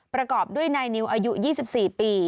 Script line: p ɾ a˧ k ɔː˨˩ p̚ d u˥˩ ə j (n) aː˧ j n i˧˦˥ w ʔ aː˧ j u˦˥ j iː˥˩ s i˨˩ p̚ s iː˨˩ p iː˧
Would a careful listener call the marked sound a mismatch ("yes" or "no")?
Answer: no